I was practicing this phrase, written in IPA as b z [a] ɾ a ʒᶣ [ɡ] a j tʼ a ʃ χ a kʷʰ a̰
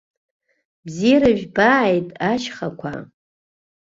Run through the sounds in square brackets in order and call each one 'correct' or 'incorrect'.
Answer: incorrect, incorrect

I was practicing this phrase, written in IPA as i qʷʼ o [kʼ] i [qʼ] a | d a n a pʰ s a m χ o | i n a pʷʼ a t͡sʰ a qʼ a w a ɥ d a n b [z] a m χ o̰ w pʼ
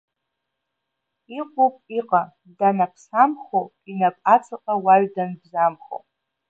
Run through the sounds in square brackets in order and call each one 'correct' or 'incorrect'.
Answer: incorrect, correct, correct

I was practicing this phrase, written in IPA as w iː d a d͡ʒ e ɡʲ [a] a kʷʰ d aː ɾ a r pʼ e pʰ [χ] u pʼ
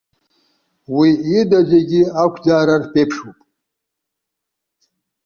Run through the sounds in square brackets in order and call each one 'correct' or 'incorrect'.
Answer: incorrect, incorrect

